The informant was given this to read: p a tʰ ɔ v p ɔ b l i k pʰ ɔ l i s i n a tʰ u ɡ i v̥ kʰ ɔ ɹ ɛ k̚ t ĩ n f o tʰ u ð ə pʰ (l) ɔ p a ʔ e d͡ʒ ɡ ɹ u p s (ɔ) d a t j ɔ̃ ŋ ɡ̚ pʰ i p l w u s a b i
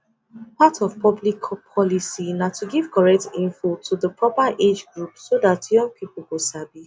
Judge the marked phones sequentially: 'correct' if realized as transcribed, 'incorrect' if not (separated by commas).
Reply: incorrect, incorrect